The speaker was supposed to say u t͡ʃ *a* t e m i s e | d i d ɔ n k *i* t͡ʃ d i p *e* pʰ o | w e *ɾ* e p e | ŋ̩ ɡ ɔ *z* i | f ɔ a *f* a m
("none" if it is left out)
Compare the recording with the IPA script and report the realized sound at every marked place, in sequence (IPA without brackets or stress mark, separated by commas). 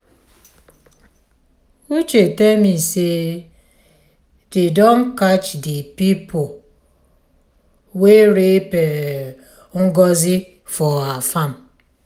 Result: e, a, i, ɾ, z, f